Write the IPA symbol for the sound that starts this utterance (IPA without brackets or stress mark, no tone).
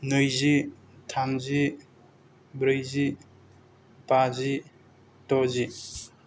n